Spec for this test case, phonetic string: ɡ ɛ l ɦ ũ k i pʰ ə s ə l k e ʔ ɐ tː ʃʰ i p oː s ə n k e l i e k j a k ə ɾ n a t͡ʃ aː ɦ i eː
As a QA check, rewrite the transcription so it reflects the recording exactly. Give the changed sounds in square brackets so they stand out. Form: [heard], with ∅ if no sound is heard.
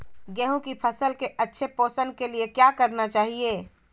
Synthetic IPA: ɡ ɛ [∅] ɦ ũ k i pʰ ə s ə l k e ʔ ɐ tː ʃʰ [e] p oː s ə n k e l i e k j a k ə ɾ n a t͡ʃ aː ɦ i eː